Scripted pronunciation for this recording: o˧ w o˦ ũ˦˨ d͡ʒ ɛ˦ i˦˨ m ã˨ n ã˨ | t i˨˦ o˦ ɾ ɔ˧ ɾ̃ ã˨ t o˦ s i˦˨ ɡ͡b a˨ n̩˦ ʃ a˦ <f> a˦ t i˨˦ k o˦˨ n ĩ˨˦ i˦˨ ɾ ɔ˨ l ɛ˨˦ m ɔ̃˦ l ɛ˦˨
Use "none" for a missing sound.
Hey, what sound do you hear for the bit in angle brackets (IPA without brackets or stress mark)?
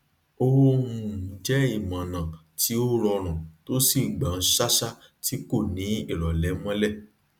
ʃ